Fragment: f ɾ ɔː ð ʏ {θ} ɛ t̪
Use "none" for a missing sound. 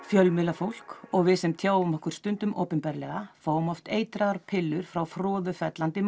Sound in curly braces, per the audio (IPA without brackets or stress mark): f